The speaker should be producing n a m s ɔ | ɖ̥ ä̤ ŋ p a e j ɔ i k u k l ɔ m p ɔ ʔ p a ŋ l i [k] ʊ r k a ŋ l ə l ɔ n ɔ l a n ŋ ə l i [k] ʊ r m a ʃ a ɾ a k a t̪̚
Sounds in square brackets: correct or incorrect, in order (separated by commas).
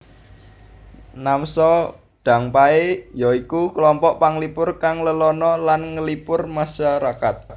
incorrect, incorrect